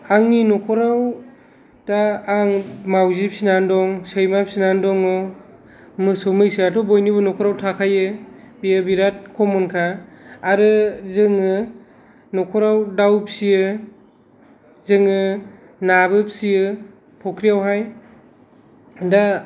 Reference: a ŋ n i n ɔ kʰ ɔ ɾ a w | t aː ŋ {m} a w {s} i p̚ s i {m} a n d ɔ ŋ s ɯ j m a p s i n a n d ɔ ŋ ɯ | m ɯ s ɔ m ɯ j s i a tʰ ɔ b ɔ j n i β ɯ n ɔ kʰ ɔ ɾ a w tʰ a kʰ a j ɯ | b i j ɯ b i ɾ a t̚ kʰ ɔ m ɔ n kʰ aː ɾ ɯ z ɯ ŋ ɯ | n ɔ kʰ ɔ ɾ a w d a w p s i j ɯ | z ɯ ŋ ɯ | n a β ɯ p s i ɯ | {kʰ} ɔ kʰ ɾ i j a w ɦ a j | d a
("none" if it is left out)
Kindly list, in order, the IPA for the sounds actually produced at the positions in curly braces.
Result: m, z, n, pʰ

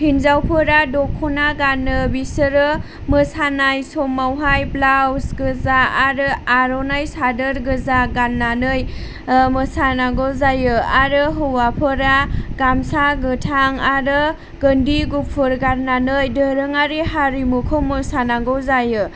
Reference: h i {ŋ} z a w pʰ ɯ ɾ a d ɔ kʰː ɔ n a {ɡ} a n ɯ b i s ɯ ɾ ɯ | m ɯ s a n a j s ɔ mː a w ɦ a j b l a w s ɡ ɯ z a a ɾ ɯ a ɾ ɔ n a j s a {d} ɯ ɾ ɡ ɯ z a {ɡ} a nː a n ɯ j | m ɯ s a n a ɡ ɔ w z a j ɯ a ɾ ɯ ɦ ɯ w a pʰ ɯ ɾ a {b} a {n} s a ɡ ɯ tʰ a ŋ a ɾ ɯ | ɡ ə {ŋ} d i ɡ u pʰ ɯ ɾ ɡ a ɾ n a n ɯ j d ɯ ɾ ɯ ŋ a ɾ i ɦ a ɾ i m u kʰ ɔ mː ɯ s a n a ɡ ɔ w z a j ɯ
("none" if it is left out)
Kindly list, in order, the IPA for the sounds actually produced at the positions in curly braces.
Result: n, ɡ, d, ɡ, ɡ, m, n

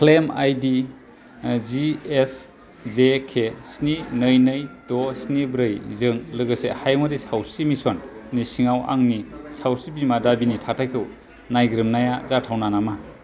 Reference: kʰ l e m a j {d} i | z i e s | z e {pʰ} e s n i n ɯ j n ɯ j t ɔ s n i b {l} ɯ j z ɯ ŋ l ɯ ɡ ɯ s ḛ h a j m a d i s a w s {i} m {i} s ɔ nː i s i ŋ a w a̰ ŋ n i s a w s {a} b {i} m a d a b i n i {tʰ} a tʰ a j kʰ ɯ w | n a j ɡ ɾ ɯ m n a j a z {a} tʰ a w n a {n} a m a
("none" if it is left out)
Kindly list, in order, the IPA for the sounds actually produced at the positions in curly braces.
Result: d, kʰ, ɾ, i, i, i, i, tʰ, a, n

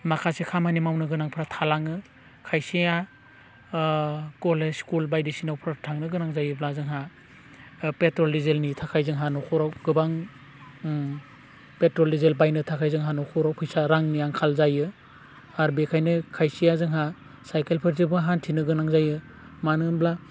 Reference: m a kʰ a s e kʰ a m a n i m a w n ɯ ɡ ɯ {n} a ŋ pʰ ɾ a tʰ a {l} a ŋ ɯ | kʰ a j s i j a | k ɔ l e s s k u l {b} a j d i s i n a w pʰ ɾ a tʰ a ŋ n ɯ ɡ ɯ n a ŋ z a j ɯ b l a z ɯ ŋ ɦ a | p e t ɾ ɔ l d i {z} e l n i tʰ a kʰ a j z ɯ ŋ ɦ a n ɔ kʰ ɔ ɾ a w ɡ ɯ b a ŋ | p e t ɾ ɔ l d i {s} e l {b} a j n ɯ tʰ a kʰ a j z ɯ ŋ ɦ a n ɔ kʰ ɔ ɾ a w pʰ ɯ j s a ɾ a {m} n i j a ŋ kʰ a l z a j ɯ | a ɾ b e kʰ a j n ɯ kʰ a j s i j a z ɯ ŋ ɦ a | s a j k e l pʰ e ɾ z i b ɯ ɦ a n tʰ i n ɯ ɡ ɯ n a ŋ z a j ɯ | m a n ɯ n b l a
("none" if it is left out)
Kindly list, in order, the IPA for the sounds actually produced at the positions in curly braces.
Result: n, l, b, z, z, b, ŋ

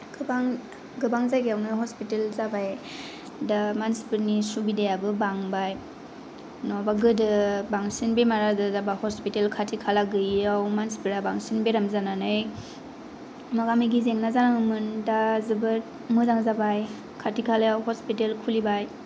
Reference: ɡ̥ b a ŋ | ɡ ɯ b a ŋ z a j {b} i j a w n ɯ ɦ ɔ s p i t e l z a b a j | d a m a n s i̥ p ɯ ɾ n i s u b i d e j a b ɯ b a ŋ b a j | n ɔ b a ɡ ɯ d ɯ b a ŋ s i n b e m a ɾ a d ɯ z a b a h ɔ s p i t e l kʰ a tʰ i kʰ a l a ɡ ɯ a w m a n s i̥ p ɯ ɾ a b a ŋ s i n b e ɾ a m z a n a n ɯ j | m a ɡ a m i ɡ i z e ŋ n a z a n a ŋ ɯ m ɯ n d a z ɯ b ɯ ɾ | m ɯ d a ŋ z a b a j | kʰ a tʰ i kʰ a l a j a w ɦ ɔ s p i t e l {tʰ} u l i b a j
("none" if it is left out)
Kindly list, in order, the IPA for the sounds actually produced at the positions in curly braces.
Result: ɡ, kʰ

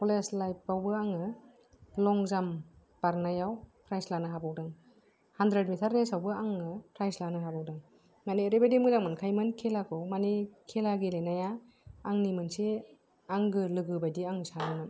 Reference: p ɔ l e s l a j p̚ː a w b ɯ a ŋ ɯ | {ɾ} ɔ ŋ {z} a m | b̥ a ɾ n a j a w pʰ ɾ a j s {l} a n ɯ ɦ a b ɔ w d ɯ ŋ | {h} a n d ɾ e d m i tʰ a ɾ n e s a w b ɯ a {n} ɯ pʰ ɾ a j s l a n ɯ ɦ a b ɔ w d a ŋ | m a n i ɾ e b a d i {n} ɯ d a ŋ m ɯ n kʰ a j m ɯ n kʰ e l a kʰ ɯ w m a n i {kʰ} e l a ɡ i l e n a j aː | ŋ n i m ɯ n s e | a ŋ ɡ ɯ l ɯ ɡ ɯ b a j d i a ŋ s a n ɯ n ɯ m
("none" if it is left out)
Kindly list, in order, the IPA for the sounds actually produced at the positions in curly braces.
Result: l, z, l, h, ŋ, m, kʰ

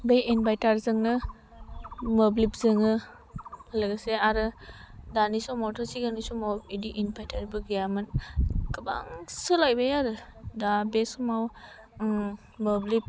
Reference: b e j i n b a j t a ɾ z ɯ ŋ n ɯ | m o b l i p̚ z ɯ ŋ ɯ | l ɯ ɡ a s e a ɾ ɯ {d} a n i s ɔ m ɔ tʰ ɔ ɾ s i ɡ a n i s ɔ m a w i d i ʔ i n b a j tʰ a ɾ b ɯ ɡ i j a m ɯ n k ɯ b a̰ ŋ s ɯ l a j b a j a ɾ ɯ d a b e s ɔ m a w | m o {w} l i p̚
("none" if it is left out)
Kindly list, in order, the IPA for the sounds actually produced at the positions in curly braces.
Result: d, b

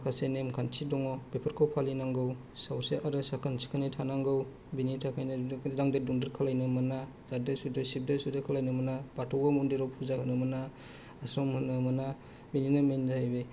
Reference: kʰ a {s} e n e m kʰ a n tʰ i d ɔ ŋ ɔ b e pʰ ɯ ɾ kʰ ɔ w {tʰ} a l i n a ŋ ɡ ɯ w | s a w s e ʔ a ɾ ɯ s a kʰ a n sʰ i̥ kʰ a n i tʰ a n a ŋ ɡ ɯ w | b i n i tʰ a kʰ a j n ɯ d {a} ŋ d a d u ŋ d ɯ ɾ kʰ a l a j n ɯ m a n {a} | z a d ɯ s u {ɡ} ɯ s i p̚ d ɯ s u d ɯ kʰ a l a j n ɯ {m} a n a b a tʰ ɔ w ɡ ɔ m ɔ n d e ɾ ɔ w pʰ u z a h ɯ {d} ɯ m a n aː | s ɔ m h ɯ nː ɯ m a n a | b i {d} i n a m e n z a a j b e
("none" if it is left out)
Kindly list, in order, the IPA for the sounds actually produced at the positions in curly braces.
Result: s, pʰ, a, a, d, m, n, n

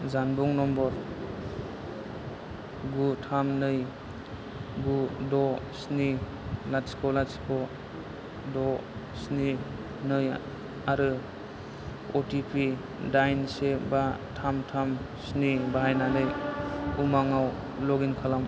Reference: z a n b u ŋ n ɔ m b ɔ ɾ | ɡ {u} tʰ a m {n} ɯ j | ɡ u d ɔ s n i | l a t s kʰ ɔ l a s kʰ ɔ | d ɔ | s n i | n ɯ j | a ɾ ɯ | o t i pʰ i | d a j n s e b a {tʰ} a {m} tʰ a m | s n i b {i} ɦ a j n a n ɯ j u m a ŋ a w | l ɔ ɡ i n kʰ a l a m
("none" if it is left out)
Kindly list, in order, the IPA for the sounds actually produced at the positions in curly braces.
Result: u, n, tʰ, m, a

